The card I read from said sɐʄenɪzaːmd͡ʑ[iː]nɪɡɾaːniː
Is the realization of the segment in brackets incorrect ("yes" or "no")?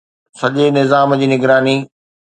no